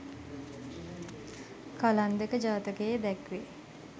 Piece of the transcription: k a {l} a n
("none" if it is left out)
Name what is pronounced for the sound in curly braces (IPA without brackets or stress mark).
l